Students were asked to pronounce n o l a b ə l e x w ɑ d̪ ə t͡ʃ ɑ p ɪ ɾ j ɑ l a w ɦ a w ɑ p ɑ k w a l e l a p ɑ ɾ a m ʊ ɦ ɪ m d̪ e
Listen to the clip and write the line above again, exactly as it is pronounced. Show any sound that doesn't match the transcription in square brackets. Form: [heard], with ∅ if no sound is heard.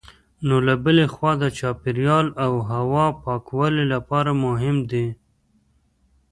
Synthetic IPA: n o l a b ə l e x w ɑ d̪ ə t͡ʃ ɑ p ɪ ɾ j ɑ l a w ɦ a w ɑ p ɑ k w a l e l a p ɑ ɾ a m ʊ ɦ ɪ m d̪ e